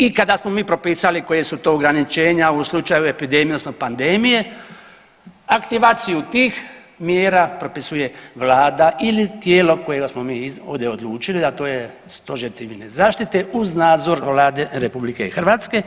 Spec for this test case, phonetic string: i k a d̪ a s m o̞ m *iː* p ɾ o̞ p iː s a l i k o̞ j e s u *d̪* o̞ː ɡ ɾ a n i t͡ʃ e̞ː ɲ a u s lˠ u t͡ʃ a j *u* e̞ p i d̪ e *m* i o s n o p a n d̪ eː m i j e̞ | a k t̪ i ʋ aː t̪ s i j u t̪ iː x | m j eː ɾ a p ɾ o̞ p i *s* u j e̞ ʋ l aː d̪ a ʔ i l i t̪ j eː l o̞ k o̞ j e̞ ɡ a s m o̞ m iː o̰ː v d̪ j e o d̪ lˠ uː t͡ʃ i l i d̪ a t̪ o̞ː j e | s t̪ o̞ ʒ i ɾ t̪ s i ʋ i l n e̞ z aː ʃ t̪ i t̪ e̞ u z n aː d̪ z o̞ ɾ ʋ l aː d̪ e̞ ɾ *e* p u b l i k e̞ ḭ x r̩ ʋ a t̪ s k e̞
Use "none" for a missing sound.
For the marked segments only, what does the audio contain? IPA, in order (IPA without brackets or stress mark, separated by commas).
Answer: iː, t̪, u, m, s, e